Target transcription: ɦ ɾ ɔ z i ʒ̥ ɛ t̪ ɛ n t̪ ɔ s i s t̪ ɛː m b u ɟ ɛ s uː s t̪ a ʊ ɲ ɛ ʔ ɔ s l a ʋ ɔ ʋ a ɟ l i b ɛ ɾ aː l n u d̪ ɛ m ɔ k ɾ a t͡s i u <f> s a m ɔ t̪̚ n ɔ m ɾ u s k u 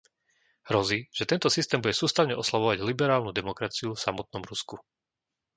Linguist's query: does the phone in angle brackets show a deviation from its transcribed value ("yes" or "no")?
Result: no